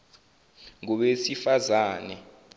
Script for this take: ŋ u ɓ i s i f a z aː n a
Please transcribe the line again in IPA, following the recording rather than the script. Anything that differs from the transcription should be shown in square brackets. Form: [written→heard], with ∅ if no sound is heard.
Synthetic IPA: ŋ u ɓ [i→e] s i f a z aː n [a→ɛ]